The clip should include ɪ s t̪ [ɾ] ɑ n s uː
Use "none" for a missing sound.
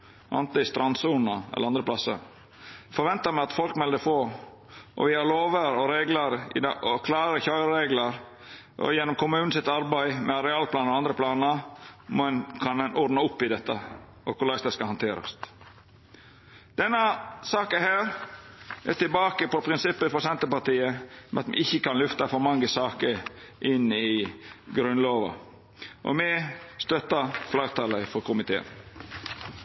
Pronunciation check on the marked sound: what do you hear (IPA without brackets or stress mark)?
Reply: ɾ